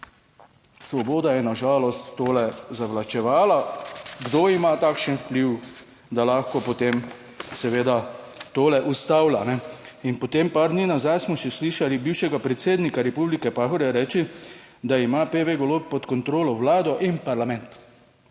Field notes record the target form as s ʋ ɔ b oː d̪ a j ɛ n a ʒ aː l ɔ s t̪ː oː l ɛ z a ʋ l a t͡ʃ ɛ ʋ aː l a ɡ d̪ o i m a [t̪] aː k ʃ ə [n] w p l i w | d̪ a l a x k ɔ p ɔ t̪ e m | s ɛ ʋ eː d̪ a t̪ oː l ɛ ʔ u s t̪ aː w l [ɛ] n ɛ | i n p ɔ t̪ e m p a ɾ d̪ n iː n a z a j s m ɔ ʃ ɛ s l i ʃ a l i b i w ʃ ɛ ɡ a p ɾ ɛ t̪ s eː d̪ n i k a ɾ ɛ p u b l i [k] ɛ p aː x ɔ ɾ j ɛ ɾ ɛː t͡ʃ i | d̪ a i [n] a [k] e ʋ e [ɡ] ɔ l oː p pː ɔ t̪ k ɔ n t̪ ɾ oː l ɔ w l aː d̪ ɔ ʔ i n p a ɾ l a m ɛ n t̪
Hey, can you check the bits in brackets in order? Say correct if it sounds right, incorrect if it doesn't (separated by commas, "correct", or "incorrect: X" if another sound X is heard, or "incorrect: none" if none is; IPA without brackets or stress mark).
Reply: correct, correct, incorrect: a, correct, incorrect: m, incorrect: p, correct